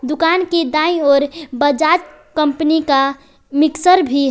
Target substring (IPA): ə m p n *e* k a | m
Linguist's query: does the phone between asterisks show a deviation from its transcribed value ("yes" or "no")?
yes